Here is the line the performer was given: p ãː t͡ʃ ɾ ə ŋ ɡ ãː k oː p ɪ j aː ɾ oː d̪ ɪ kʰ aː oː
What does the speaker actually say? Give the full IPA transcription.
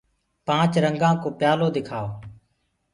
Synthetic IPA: p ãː t͡ʃ ɾ ə ŋ ɡ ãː k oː p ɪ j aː l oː d̪ ɪ kʰ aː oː